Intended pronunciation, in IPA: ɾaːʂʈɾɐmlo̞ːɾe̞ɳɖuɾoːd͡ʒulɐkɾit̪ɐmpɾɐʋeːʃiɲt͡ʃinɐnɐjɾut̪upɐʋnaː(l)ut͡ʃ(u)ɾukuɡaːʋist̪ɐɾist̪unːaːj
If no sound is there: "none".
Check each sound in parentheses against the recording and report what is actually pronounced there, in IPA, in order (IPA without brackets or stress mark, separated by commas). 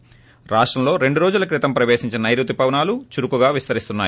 l, u